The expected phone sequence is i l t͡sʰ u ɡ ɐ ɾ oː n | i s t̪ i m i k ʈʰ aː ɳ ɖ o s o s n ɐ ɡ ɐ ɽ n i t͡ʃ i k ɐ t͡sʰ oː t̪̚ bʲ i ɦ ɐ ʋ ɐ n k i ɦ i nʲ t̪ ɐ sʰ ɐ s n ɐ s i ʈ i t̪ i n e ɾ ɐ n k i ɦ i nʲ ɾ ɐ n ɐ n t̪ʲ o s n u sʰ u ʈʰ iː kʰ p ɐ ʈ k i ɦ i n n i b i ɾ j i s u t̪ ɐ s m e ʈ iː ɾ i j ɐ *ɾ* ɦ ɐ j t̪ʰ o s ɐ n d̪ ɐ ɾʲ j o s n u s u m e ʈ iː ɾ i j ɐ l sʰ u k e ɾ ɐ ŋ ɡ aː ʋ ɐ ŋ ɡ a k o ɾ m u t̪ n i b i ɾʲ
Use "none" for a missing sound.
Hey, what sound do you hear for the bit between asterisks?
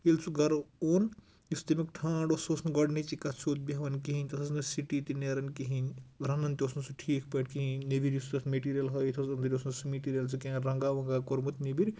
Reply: l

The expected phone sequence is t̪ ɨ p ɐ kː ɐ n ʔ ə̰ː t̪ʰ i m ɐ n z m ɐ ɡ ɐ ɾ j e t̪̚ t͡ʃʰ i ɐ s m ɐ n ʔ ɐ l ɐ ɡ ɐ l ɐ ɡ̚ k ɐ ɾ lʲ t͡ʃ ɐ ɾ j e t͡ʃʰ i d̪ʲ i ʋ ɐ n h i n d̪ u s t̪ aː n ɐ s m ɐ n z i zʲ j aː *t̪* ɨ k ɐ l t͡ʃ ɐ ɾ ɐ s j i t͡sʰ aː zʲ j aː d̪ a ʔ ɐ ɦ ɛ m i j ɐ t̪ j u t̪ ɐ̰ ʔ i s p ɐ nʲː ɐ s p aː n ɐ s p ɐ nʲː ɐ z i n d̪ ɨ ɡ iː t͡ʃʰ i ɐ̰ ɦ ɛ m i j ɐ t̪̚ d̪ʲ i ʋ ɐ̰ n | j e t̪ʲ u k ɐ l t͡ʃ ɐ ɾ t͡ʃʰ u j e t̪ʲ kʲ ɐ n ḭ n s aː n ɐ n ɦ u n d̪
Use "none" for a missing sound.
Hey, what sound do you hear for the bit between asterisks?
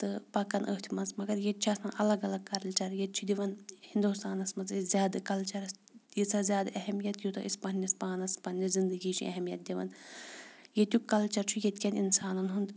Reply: d̪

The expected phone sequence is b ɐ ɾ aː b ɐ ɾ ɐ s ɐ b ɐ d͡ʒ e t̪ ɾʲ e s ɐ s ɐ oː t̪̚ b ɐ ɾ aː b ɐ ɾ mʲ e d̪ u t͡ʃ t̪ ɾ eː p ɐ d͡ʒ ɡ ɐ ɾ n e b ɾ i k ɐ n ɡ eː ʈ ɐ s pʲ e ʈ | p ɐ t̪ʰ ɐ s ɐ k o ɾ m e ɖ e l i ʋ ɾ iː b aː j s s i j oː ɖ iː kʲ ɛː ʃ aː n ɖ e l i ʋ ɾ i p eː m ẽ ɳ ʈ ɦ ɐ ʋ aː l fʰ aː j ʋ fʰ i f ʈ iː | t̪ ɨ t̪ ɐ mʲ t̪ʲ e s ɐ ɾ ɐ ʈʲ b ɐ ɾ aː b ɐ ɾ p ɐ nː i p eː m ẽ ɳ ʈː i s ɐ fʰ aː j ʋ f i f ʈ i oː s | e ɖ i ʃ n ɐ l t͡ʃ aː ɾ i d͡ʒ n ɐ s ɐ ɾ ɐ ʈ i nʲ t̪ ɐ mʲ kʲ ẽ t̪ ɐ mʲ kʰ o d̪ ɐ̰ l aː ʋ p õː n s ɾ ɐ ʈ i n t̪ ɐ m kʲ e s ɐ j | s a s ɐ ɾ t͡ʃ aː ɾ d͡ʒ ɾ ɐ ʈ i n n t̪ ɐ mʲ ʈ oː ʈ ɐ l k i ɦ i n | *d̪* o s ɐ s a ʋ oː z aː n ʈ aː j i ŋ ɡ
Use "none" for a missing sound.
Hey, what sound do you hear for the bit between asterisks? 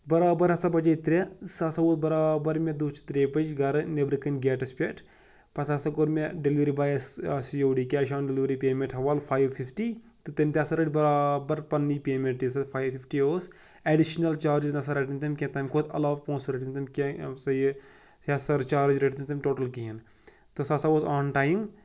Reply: t̪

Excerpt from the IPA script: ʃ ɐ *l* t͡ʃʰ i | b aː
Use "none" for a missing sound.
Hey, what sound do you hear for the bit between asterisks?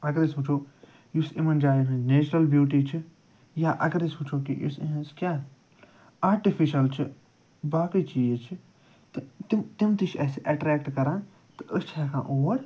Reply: l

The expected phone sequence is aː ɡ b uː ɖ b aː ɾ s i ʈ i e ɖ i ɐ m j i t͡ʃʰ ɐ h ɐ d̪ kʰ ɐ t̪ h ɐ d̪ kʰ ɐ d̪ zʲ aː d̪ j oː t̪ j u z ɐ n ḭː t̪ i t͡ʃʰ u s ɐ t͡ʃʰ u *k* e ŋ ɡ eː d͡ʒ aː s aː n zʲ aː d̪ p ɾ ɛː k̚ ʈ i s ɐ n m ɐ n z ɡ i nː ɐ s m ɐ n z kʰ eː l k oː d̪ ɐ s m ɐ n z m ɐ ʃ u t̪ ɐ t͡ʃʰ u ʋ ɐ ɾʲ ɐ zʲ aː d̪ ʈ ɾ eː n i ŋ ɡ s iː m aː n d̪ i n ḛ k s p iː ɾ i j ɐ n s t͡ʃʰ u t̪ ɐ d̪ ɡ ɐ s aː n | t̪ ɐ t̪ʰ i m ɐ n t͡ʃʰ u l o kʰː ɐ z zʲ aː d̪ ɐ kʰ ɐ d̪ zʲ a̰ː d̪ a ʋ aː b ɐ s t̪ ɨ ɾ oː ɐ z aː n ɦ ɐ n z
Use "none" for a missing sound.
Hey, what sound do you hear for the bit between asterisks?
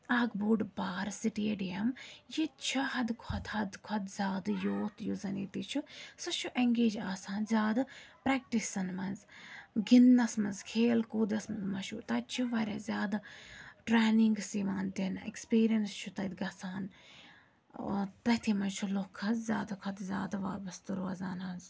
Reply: ʔ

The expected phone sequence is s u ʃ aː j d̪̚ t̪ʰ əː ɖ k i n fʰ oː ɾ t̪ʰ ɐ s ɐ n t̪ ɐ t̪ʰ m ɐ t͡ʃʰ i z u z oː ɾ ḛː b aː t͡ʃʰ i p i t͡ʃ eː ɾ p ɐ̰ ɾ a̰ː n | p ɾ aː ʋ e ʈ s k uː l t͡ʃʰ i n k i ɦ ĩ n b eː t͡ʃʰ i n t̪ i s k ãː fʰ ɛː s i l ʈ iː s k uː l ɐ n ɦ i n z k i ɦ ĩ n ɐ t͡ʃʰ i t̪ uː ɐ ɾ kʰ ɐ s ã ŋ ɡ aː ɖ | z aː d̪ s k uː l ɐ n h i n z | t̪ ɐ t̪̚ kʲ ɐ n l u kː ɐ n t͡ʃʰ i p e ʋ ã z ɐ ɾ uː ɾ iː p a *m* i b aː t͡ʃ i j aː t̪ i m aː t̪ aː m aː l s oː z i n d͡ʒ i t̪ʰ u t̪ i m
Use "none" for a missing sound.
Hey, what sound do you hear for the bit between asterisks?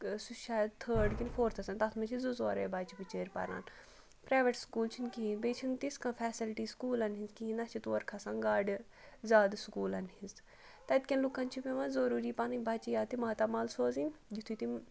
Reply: n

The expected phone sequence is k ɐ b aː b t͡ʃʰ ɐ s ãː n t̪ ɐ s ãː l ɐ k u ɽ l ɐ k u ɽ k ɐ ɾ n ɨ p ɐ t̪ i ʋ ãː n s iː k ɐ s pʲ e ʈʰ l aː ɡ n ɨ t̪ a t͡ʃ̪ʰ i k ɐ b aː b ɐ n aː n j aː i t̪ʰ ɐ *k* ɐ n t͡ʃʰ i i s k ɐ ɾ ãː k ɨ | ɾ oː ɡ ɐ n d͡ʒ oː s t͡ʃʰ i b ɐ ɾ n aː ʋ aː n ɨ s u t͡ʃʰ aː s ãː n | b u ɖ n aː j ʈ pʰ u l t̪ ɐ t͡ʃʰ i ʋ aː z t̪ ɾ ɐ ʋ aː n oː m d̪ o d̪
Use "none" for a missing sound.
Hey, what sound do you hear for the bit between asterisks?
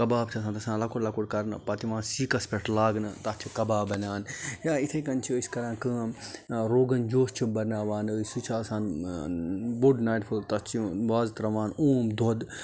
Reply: k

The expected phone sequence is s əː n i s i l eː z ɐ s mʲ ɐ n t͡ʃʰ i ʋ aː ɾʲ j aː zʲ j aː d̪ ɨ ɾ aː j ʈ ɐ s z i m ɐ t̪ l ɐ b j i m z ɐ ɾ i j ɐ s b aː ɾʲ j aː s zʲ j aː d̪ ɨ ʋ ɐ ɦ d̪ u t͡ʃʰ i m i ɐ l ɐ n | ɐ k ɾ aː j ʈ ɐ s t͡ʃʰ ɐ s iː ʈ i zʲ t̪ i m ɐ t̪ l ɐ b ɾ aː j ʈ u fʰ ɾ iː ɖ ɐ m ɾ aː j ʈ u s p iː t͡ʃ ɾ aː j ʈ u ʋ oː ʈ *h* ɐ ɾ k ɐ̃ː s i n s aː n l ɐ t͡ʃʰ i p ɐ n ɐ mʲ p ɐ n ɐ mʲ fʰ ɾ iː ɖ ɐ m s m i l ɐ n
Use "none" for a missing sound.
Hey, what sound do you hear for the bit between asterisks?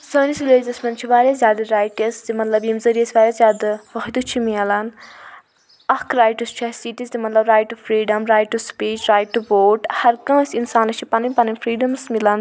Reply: h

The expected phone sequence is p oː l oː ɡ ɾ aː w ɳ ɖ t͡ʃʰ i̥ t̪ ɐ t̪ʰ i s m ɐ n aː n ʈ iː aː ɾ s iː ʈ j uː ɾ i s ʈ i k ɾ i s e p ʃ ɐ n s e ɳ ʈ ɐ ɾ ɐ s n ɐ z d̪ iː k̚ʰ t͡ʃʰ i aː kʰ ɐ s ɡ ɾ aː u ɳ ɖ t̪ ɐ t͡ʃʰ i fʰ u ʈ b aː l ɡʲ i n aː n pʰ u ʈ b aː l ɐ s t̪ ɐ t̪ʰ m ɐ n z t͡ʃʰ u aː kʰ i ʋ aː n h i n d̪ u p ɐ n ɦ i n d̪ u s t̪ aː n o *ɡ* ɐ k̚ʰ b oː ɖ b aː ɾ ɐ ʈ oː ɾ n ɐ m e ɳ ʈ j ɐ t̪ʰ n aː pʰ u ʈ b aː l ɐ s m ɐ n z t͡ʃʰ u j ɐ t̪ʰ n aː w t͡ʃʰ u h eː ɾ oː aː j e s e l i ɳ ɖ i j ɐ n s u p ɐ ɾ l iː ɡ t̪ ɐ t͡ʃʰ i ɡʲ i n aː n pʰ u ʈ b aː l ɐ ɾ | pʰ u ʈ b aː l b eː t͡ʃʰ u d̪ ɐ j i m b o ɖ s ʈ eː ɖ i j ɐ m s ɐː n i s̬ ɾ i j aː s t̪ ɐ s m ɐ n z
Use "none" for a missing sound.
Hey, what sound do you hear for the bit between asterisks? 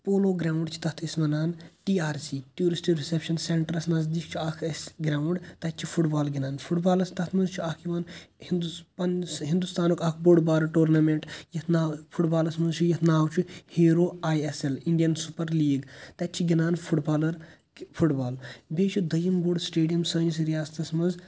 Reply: k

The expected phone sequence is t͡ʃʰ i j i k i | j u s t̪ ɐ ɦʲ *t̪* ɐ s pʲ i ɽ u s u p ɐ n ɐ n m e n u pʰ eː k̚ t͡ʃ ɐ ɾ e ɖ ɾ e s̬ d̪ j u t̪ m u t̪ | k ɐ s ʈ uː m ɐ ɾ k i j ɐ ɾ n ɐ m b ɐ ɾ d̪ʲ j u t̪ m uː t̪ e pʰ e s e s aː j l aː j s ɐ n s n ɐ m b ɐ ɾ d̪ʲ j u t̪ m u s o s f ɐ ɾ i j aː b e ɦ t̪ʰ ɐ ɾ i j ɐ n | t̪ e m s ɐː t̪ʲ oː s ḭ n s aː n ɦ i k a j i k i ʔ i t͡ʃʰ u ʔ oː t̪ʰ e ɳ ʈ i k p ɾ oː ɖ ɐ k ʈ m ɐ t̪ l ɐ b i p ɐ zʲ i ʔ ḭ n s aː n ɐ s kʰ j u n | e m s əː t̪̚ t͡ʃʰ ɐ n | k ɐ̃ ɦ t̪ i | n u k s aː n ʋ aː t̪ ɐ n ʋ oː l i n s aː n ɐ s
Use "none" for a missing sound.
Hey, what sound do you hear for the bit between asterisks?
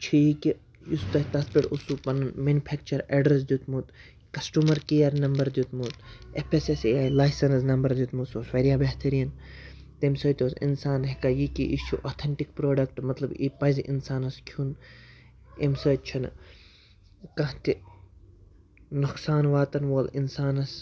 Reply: t̪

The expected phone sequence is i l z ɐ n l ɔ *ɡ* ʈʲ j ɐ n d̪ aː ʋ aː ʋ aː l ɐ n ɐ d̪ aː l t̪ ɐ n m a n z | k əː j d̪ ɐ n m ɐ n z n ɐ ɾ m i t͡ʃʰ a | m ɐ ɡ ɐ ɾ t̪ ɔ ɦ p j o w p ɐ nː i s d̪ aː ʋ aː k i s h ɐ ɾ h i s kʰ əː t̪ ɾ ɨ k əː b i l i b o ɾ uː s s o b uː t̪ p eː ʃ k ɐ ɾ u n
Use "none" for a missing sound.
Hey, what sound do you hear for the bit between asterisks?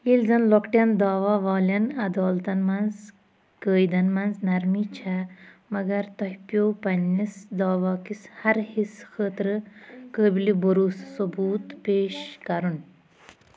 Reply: k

